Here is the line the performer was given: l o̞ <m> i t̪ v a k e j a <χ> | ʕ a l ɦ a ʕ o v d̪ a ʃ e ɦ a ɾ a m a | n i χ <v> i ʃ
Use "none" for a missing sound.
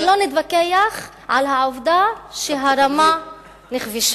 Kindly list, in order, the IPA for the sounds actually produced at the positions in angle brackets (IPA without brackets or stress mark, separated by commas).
n, χ, v